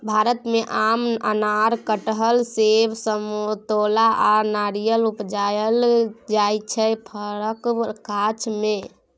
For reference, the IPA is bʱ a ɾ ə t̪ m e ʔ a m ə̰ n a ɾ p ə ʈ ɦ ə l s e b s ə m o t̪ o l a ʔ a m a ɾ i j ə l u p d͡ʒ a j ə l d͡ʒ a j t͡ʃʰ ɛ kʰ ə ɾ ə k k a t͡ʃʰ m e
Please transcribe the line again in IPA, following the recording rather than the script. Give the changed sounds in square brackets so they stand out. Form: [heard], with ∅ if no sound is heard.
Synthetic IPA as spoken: bʱ a ɾ ə t̪ m e ʔ a m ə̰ n a ɾ [k] ə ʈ ɦ ə l s e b s ə m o t̪ o l a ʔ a [n] a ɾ i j ə l u p d͡ʒ a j ə l d͡ʒ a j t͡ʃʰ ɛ [pʰ] ə ɾ ə k k a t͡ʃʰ m e